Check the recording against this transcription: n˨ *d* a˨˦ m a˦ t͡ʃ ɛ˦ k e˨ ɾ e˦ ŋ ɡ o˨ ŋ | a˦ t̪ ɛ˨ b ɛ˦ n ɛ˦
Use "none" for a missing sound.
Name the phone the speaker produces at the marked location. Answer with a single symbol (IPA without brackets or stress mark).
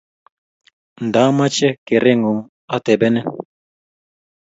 d